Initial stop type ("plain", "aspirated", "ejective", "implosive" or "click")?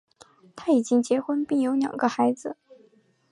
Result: aspirated